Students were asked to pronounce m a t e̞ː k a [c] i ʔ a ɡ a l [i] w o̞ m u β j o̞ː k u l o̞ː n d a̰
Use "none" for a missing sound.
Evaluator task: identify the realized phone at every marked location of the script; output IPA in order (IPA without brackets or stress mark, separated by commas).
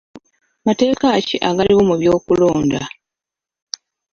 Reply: c, i